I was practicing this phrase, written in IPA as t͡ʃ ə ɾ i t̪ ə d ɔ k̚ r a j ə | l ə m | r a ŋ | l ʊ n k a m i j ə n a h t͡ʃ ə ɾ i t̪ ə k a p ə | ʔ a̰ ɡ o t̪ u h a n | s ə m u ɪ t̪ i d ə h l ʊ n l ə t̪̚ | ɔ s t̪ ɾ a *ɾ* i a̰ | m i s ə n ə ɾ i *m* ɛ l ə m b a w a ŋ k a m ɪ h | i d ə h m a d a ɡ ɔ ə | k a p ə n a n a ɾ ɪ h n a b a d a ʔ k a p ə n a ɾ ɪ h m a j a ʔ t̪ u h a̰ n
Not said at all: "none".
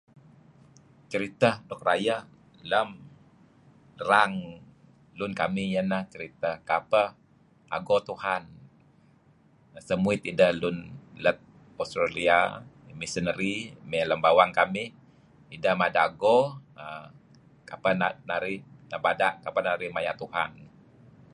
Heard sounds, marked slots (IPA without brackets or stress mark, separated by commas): l, m